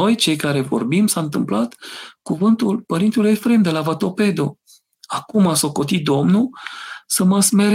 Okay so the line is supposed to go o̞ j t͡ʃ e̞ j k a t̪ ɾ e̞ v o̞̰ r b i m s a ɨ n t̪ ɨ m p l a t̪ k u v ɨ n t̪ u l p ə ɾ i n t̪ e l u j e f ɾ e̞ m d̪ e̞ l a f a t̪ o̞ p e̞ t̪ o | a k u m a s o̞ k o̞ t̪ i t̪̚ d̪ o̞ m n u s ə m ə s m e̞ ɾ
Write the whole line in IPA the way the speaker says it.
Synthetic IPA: o̞ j t͡ʃ e̞ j k a ɾ e̞ v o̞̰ r b i m s a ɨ n t̪ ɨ m p l a t̪ k u v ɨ n t̪ u l p ə ɾ i n t̪ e l u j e f ɾ e̞ m d̪ e̞ l a v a t̪ o̞ p e̞ d̪ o | a k u m a s o̞ k o̞ t̪ i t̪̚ d̪ o̞ m n u s ə m ə s m e̞ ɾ